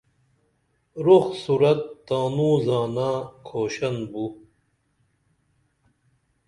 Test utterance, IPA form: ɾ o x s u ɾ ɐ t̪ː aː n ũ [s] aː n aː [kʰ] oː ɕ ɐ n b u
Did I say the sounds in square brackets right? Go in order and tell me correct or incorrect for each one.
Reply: incorrect: z, correct

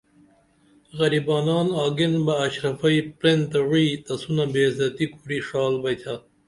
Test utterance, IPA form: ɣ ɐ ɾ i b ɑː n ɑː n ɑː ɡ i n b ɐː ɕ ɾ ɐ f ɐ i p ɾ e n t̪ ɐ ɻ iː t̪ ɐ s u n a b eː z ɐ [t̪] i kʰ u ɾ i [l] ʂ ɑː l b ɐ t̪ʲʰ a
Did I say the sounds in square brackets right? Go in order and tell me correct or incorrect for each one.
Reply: correct, incorrect: none

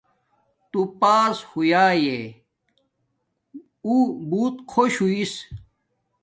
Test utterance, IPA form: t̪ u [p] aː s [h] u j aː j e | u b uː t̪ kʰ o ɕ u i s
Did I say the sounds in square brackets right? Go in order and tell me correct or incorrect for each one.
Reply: correct, correct

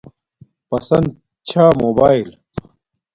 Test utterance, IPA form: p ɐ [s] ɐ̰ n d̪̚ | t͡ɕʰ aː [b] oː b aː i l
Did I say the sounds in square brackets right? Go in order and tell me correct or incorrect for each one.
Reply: correct, incorrect: m

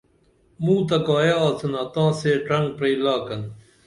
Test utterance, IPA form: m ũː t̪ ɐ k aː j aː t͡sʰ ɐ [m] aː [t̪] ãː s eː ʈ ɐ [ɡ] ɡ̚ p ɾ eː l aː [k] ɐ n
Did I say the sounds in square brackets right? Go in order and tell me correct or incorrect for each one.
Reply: incorrect: n, correct, incorrect: ŋ, correct

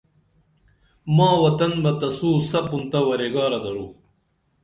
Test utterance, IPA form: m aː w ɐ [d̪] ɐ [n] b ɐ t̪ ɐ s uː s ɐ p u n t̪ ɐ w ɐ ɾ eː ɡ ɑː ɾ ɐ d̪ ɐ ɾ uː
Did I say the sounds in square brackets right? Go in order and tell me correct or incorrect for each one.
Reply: incorrect: t̪, correct

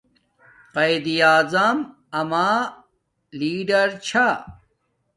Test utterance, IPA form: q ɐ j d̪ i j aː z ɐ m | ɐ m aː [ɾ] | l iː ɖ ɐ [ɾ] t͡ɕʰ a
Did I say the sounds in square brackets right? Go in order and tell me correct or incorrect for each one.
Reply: incorrect: none, correct

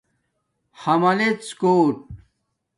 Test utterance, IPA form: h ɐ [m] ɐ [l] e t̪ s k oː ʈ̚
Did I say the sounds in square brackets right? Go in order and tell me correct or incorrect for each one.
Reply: correct, correct

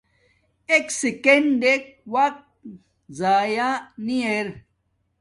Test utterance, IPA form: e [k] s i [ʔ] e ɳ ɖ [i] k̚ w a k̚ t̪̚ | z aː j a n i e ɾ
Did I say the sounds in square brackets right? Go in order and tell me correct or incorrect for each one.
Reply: correct, incorrect: k, incorrect: e

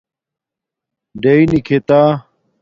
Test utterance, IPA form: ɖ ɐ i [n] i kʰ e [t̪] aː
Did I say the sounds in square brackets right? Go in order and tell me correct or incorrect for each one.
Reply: correct, correct

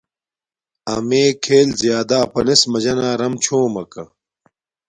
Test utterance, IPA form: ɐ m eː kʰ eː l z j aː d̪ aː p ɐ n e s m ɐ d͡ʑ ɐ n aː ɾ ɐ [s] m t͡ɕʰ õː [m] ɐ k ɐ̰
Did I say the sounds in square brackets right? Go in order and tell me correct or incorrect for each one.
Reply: incorrect: none, correct

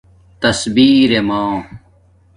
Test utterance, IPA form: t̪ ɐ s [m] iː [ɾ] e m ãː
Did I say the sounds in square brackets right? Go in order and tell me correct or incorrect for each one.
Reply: incorrect: b, correct

